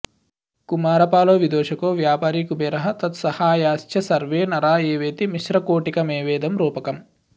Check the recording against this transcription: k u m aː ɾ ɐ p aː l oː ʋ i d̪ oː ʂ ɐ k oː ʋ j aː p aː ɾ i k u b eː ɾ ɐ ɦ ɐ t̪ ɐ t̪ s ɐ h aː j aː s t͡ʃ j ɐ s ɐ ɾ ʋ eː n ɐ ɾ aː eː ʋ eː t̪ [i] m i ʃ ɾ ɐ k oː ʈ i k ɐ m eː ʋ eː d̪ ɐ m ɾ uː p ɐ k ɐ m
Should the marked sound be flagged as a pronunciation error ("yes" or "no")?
no